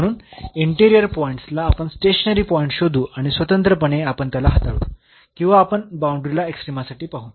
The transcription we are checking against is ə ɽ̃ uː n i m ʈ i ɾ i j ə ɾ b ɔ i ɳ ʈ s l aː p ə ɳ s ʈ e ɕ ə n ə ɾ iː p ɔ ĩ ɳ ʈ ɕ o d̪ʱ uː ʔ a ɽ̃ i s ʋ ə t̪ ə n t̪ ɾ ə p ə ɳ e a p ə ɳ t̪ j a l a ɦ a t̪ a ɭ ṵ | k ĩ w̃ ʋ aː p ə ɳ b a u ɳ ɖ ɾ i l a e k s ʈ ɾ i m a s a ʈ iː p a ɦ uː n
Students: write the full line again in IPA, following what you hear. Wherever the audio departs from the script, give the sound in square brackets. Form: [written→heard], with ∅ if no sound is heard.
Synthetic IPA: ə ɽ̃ uː n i [m→ɳ] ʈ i ɾ i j ə ɾ [b→p] ɔ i ɳ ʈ s l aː p ə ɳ s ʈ e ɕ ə n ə ɾ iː p ɔ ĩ ɳ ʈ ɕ o d̪ʱ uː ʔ a ɽ̃ i s ʋ ə t̪ ə n t̪ ɾ ə p ə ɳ e a p ə ɳ t̪ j a l a ɦ a t̪ a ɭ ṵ | k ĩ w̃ ʋ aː p ə ɳ b a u ɳ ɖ ɾ i l a e k s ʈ ɾ i m a s a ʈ iː p a ɦ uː n